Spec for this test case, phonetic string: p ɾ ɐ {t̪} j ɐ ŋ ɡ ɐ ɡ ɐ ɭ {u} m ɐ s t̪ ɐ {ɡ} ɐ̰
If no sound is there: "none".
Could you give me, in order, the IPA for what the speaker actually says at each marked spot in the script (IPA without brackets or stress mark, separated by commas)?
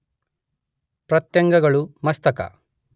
t̪, u, k